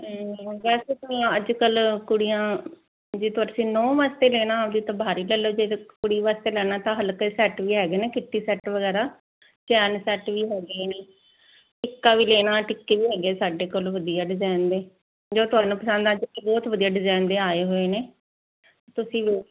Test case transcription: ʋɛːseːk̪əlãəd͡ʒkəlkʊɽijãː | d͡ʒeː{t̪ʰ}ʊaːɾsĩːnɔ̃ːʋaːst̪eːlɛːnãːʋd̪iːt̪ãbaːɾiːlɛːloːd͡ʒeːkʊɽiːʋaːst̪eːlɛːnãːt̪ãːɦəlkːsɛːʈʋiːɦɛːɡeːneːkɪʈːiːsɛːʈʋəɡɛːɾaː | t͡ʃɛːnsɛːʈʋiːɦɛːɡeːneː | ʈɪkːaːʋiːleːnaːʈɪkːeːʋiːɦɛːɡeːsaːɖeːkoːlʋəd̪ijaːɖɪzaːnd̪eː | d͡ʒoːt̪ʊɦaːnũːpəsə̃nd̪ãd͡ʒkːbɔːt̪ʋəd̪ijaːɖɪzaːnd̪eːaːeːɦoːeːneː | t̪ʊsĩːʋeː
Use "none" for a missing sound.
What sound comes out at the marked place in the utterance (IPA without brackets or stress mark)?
t̪